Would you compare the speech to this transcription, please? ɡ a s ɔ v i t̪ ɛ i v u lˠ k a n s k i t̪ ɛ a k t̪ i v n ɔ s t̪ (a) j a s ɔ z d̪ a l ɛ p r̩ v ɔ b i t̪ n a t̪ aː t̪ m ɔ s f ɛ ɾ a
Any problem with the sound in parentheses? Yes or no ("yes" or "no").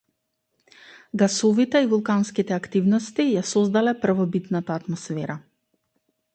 yes